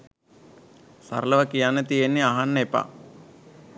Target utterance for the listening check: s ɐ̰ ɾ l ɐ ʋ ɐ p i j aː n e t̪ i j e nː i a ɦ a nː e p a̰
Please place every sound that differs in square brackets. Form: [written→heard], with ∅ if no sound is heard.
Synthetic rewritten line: s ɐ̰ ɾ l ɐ ʋ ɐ [p→k] i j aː n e t̪ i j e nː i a ɦ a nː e p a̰

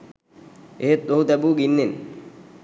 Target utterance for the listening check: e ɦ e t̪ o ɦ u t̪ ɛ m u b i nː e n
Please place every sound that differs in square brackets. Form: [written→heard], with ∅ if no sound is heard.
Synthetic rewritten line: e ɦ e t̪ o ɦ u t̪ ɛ [m→b] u [b→ɡ] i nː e n

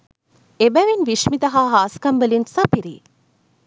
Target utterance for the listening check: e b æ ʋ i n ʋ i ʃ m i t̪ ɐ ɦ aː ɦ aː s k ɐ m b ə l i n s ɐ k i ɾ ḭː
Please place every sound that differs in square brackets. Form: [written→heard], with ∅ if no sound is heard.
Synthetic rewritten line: e b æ ʋ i n ʋ i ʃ m i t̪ ɐ ɦ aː ɦ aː s k ɐ m b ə l i n s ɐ [k→p] i ɾ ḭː

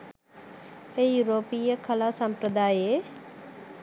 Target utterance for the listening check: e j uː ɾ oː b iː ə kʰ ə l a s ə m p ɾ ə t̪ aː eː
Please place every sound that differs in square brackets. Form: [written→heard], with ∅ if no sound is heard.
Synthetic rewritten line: e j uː ɾ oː [b→p] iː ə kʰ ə l a s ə m p ɾ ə [t̪→d̪] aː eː

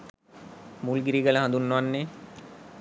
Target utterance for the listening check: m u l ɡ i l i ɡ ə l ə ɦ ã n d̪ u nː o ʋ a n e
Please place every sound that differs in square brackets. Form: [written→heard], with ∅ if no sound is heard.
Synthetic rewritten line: m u l ɡ i [l→ɾ] i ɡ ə l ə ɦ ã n d̪ u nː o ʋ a [n→nː] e

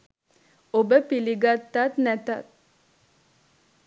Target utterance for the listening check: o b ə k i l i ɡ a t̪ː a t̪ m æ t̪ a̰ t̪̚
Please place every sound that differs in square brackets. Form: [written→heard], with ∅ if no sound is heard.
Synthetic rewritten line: o b ə [k→p] i l i ɡ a t̪ː a t̪ [m→n] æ t̪ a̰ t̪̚

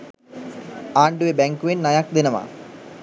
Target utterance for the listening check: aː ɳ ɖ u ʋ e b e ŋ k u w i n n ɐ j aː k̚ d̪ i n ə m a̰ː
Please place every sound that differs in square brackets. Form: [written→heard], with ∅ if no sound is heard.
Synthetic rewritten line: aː ɳ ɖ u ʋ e b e ŋ k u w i n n ɐ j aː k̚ d̪ i n [ə→ɐ] m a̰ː

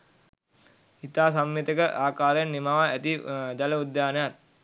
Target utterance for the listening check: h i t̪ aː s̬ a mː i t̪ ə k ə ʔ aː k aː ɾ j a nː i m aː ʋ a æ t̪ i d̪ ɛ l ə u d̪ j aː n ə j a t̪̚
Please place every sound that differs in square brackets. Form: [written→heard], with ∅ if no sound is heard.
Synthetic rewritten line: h i t̪ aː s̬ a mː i t̪ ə k ə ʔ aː k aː ɾ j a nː i m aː ʋ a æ t̪ i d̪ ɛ l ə u d̪ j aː n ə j a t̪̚

